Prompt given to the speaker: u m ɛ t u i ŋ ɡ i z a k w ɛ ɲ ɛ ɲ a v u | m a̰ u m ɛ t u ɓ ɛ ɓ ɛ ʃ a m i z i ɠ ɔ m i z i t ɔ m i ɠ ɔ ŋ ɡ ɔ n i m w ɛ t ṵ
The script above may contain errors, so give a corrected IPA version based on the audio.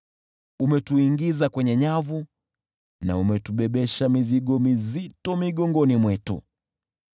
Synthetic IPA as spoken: u m ɛ t u i ŋ ɡ i z a k w ɛ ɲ ɛ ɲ a v u | n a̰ u m ɛ t u ɓ ɛ ɓ ɛ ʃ a m i z i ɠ ɔ m i z i t ɔ m i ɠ ɔ ŋ ɡ ɔ n i m w ɛ t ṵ

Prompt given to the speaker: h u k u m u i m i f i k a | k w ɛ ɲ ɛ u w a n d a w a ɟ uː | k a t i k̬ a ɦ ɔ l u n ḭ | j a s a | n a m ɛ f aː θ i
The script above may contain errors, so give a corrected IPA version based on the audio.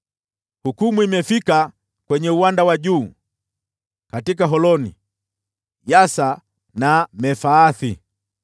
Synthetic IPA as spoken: h u k u m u i m ɛ f i k a | k w ɛ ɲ ɛ u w a n d a w a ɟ uː | k a t i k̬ a ɦ ɔ l ɔ n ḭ | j a s a | n a m ɛ f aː θ i

